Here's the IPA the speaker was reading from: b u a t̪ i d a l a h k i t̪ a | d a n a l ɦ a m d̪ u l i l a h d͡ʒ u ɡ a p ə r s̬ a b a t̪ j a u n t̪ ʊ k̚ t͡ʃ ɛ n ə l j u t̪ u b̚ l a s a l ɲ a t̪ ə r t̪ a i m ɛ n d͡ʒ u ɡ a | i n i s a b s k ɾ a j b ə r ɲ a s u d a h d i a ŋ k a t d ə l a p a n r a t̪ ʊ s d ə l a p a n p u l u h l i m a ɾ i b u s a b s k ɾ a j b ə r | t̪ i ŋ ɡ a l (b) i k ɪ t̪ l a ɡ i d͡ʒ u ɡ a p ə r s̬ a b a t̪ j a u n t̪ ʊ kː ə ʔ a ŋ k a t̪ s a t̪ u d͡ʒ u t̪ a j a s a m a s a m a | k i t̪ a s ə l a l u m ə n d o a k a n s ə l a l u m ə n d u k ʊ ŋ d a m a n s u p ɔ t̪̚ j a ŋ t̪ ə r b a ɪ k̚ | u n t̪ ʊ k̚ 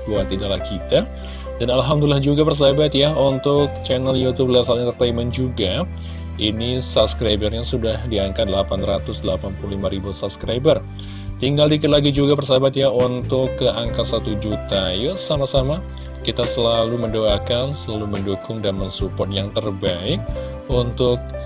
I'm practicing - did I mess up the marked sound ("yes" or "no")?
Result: yes